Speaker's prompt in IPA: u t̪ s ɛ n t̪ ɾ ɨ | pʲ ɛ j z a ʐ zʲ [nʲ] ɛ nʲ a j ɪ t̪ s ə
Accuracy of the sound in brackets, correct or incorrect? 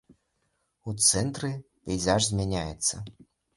incorrect